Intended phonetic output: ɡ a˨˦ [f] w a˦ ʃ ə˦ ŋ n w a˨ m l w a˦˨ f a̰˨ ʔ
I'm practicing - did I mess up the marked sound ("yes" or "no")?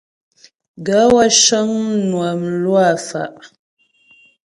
yes